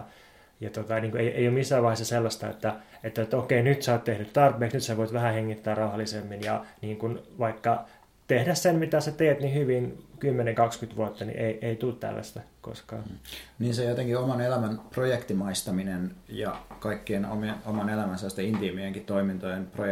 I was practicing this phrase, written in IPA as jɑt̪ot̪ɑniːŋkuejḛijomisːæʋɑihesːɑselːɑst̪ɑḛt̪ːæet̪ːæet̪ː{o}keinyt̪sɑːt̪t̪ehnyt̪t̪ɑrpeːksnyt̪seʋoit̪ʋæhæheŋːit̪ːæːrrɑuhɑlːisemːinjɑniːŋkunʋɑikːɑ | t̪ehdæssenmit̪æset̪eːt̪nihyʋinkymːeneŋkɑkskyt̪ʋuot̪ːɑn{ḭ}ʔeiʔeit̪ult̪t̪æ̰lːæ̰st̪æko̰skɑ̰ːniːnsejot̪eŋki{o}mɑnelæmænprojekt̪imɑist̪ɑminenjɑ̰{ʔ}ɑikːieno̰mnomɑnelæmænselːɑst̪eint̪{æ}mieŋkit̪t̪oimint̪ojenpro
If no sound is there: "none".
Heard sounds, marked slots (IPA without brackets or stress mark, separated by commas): o, ḭ, o, k, i